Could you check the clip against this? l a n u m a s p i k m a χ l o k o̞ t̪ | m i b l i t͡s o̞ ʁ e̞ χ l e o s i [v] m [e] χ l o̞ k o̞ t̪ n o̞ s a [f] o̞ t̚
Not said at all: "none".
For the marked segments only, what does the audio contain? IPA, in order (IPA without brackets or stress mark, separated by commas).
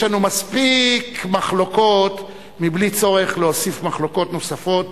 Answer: f, a, f